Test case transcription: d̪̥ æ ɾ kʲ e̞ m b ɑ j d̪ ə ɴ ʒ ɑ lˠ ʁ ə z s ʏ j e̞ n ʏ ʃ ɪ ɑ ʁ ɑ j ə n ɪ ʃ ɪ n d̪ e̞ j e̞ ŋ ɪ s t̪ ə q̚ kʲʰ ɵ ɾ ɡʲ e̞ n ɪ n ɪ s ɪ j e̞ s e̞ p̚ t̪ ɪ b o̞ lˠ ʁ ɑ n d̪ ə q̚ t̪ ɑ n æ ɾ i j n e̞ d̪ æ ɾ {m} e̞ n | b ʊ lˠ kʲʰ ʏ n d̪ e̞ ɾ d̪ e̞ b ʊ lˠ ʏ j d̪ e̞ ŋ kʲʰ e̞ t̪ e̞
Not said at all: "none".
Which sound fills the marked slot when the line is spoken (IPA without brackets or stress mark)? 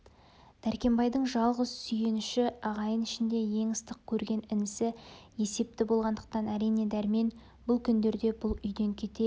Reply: m